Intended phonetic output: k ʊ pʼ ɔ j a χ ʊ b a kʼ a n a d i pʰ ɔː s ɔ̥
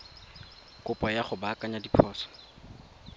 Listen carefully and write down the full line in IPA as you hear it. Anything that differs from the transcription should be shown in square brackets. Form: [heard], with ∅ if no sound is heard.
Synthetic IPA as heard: k ʊ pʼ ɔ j a χ ʊ b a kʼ a [ɲ] a d i pʰ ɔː s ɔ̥